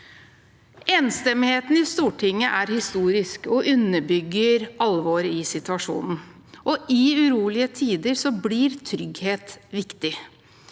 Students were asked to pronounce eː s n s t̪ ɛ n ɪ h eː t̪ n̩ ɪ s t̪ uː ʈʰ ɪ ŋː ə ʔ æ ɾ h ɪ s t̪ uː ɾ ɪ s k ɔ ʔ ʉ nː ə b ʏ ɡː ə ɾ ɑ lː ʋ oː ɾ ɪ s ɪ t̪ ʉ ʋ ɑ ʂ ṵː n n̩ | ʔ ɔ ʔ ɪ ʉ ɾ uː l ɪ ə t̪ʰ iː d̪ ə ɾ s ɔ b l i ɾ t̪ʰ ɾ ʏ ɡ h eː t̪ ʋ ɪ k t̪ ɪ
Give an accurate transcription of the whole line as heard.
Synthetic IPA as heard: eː n s t̪ ɛ m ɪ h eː t̪ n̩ ɪ s t̪ uː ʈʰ ɪ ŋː ə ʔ æ ɾ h ɪ s t̪ uː ɾ ɪ s k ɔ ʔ ʉ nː ə b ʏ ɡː ə ɾ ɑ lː ʋ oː ɾ ɪ s ɪ t̪ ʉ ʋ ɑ ʂ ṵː n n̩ | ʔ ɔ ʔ ɪ ʉ ɾ uː l ɪ ə t̪ʰ iː d̪ ə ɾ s ɔ b l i ɾ t̪ʰ ɾ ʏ ɡ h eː t̪ ʋ ɪ k t̪ ɪ